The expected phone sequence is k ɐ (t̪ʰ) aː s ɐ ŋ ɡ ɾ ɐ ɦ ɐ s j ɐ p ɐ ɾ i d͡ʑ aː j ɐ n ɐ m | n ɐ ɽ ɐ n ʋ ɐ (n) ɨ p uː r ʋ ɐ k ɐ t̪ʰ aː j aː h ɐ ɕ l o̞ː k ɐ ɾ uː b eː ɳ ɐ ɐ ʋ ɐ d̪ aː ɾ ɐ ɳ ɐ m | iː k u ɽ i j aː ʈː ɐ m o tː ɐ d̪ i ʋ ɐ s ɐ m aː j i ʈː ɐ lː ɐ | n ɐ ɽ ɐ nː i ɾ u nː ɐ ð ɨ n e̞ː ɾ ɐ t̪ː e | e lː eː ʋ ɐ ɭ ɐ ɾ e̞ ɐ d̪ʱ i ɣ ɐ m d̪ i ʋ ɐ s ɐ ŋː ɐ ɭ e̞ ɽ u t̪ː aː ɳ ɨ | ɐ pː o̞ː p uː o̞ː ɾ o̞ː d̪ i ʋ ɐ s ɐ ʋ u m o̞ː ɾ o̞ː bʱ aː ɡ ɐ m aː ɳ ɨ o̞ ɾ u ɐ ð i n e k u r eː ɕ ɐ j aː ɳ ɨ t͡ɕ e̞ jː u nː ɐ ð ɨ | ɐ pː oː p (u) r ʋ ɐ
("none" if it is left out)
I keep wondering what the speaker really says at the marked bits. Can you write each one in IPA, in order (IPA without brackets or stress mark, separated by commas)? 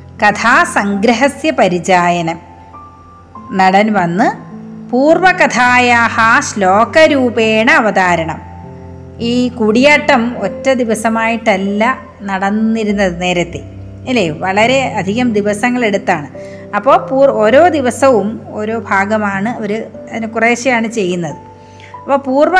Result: t̪ʰ, nː, uː